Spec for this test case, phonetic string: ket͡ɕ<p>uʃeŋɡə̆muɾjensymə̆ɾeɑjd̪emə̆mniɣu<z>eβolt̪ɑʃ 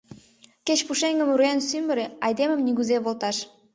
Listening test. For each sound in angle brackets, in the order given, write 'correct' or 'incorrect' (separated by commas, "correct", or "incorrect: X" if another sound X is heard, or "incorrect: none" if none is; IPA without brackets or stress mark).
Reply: correct, correct